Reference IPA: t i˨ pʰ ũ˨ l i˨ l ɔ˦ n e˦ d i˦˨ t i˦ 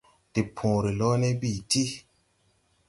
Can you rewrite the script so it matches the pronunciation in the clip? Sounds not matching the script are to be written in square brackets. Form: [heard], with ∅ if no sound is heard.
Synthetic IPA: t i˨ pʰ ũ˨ [ɾ] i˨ l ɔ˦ n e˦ [b] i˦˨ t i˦